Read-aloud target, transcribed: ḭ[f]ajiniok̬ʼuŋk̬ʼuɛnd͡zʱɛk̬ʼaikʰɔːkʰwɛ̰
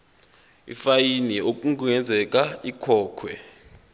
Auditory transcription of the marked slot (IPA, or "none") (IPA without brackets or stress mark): f